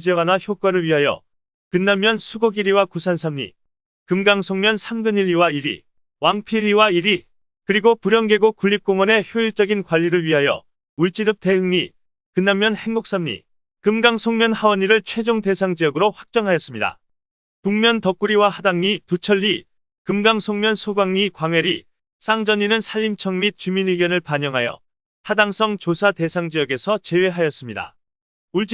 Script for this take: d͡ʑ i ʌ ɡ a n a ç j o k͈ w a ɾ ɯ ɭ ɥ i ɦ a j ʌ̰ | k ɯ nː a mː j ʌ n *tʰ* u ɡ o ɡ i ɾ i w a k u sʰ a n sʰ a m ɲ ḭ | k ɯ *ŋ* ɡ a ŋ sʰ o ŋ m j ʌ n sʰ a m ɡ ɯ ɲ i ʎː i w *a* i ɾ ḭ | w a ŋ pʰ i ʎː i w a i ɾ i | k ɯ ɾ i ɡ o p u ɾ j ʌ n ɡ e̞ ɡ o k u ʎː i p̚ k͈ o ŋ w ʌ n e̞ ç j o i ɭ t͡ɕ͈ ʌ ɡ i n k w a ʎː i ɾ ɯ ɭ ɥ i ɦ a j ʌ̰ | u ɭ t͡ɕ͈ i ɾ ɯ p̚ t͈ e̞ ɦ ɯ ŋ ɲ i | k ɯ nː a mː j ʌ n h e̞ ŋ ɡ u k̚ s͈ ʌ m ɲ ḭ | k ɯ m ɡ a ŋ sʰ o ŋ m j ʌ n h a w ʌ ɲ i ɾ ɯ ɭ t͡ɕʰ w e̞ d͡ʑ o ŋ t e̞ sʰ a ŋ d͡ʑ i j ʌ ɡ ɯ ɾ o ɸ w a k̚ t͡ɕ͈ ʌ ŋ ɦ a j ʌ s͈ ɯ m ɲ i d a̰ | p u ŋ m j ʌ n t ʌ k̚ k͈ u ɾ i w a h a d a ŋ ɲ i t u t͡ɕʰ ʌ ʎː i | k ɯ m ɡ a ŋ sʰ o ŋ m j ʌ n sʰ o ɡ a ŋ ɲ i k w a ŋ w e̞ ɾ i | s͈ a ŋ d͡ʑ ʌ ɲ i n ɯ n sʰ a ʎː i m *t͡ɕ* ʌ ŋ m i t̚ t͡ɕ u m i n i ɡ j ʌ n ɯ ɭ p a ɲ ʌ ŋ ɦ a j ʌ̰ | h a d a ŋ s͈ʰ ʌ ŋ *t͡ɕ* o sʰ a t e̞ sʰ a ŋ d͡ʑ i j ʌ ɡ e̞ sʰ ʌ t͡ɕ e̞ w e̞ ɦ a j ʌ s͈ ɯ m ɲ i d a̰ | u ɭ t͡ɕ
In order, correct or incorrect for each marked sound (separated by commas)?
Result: incorrect, incorrect, correct, incorrect, correct